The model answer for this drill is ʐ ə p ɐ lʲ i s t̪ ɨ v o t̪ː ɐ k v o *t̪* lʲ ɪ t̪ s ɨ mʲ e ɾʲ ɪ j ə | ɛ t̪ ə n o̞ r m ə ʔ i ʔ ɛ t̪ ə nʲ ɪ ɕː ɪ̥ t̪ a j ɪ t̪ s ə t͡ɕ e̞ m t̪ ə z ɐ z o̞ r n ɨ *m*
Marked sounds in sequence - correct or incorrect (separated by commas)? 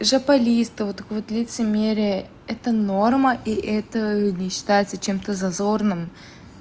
correct, correct